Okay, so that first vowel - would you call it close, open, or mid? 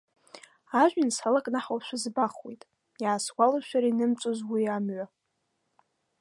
open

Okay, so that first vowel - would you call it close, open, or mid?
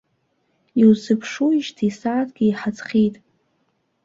close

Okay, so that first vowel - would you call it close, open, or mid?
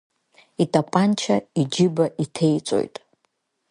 close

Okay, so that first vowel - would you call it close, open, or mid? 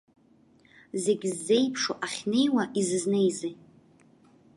mid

